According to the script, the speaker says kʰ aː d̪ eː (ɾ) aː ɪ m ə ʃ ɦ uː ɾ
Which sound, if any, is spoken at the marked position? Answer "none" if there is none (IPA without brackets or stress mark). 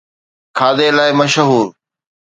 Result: l